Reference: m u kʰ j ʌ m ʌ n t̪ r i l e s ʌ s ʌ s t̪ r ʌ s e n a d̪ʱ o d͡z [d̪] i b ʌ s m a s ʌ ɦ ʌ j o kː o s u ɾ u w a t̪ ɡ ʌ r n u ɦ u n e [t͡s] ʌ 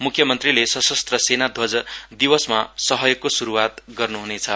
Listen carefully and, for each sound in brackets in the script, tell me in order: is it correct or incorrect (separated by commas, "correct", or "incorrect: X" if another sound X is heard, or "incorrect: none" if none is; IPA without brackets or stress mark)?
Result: correct, incorrect: t͡sʰ